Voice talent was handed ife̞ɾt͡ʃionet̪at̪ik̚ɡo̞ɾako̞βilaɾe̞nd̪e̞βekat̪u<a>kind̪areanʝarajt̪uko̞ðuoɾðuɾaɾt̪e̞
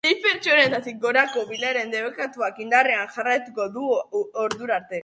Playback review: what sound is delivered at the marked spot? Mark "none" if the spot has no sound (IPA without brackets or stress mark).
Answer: a